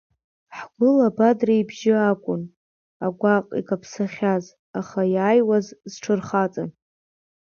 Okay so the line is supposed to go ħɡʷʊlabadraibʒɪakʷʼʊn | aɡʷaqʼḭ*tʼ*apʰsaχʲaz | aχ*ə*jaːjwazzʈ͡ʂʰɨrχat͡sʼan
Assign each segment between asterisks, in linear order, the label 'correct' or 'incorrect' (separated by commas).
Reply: incorrect, incorrect